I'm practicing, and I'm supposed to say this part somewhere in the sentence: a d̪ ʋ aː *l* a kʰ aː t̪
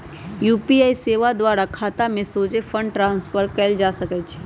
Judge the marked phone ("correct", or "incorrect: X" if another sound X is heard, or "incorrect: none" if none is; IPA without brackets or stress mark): incorrect: ɾ